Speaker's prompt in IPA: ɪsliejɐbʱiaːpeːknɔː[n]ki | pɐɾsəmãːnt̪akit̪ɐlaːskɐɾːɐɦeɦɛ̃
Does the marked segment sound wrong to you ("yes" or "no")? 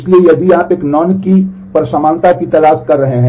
no